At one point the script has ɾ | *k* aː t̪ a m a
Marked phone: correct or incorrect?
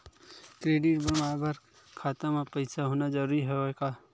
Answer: incorrect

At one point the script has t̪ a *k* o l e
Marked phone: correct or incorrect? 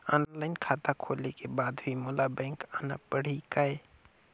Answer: incorrect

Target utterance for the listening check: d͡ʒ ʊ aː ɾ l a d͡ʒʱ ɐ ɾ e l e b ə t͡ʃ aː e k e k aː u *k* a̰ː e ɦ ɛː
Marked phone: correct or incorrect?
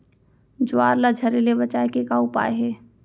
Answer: incorrect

